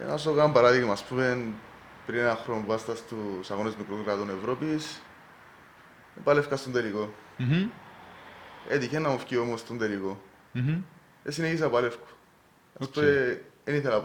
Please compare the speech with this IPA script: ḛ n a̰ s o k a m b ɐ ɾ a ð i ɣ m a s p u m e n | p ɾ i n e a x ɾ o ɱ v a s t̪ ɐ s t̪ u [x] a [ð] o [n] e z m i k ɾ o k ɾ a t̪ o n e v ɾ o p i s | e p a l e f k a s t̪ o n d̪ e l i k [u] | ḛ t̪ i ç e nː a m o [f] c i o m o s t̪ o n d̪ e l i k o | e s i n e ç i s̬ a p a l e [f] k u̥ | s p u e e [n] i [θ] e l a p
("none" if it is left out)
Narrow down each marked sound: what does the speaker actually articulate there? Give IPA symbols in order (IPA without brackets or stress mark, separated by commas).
s, ɣ, n, o, f, f, n, θ